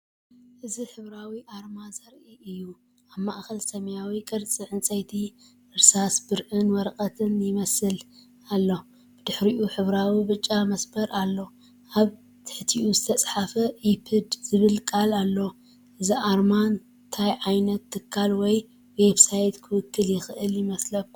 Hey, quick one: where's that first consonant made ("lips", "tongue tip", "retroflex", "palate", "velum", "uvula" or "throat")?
throat